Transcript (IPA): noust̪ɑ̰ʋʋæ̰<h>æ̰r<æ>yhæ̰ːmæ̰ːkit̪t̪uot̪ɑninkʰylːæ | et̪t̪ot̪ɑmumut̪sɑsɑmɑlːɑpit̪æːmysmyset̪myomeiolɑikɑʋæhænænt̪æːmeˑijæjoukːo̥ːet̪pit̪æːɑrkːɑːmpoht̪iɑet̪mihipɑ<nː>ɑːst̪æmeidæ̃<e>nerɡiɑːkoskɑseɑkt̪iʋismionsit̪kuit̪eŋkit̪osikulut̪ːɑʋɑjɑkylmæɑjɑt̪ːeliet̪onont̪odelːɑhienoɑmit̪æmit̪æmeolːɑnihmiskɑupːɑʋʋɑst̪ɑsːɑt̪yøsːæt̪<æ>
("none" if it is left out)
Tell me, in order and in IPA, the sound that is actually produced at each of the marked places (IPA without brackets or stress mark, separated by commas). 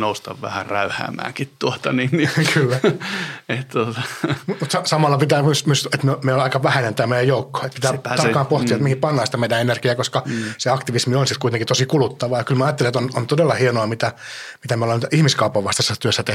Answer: h, æ, nː, e, e